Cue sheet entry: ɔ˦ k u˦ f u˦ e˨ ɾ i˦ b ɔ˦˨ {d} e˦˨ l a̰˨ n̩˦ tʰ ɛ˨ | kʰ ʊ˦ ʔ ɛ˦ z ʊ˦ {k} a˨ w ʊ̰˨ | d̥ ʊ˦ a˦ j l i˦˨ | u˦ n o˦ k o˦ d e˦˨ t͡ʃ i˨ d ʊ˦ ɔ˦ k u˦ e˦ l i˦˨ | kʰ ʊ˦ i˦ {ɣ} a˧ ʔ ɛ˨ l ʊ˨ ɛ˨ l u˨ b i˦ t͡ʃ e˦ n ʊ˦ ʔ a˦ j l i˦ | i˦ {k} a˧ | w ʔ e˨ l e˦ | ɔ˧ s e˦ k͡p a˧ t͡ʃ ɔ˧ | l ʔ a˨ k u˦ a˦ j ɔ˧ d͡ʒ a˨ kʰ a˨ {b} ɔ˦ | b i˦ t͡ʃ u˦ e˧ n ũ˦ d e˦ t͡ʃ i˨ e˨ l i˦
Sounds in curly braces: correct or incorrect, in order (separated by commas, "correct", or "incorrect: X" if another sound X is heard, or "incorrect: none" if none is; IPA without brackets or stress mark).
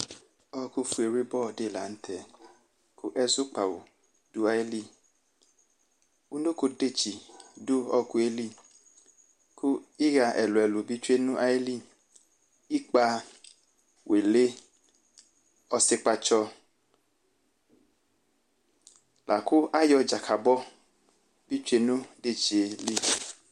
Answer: correct, incorrect: k͡p, correct, incorrect: k͡p, correct